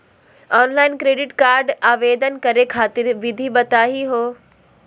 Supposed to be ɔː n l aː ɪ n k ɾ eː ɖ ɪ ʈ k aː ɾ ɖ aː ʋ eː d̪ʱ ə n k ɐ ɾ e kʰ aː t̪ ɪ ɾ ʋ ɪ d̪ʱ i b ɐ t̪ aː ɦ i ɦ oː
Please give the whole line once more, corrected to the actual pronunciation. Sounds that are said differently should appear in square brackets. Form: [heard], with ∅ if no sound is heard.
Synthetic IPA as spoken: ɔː n l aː ɪ n k ɾ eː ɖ ɪ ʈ k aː ɾ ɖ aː ʋ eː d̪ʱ ə n k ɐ ɾ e kʰ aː t̪ ɪ ɾ ʋ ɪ d̪ʱ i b ɐ t̪ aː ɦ i ɦ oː